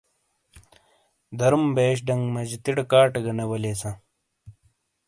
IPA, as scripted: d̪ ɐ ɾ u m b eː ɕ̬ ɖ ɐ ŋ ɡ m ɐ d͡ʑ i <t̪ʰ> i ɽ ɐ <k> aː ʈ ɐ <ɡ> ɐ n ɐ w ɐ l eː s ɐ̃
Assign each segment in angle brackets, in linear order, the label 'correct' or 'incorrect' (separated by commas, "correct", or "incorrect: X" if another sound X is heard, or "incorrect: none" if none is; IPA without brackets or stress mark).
incorrect: t̪, correct, correct